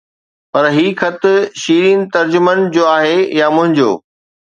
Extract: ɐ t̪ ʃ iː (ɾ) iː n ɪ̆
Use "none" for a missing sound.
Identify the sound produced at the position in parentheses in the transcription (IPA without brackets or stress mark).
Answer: ɾ